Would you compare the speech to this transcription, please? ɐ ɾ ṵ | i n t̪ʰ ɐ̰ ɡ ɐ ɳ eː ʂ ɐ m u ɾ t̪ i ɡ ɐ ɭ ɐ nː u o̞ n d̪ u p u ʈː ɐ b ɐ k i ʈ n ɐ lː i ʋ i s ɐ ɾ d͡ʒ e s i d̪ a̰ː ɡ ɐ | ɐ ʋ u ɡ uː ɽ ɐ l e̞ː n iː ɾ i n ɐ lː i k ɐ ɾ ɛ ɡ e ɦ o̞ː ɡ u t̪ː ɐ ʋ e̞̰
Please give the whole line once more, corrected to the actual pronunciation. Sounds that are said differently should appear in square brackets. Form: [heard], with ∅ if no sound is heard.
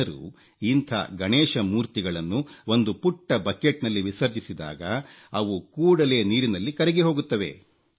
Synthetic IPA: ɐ ɾ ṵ | i n t̪ʰ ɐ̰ ɡ ɐ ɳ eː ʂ ɐ m [uː] ɾ t̪ i ɡ ɐ ɭ ɐ nː u o̞ n d̪ u p u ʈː ɐ b ɐ k [e] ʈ n ɐ lː i ʋ i s ɐ ɾ d͡ʒ [i] s i d̪ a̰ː ɡ ɐ | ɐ ʋ u [k] uː ɽ ɐ l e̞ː n iː ɾ i n ɐ lː i k ɐ ɾ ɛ ɡ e ɦ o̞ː ɡ u t̪ː ɐ ʋ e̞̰